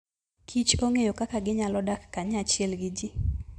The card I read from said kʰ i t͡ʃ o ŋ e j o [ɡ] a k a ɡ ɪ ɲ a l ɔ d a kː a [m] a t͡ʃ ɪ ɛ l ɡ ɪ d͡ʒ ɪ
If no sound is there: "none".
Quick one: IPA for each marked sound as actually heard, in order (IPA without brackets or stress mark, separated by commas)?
k, ɲ